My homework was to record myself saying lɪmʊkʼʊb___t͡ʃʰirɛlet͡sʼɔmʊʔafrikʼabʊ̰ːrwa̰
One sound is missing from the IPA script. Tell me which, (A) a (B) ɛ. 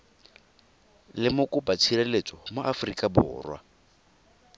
A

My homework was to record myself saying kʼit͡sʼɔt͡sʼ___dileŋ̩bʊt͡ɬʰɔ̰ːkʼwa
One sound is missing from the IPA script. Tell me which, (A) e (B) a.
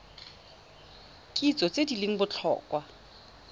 A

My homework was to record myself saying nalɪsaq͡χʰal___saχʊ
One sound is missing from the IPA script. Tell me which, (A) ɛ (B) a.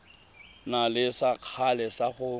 A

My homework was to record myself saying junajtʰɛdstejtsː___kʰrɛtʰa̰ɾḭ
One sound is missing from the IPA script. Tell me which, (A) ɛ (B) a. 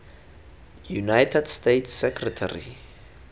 A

